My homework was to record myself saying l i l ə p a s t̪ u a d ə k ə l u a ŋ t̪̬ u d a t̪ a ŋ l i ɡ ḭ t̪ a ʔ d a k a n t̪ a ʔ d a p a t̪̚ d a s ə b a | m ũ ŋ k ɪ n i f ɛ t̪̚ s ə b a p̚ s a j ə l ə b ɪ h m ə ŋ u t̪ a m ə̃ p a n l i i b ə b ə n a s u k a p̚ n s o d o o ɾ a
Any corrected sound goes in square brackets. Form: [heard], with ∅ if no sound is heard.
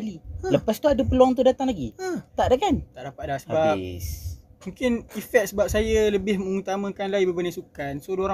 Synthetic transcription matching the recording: l i l ə p a s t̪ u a d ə [p] ə l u a ŋ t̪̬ u d a t̪ a ŋ l [a] ɡ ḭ t̪ a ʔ d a k a n t̪ a ʔ d a p a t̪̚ d a s ə b a | m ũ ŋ k ɪ n i f ɛ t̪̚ s ə b a p̚ s a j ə l ə b ɪ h m ə ŋ u t̪ a m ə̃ [k] a n l [a] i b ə b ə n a s u k a [∅] n s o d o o ɾ a